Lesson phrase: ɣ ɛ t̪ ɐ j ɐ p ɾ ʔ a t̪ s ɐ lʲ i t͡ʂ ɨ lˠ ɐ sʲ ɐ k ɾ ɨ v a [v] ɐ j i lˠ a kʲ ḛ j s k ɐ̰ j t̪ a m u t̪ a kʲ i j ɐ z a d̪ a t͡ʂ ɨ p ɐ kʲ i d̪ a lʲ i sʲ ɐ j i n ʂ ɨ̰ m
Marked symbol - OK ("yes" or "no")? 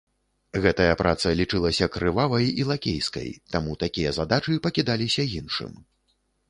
yes